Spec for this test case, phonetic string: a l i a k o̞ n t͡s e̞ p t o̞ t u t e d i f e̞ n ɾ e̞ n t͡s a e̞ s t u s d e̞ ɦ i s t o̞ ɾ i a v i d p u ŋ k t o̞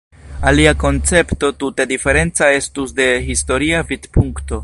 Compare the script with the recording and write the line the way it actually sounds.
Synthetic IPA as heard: a l i a k o̞ n t͡s e̞ p t o̞ t u t e d i f e̞ ɾ e̞ n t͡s a e̞ s t u s d e̞ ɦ i s t o̞ ɾ i a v i d p u ŋ k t o̞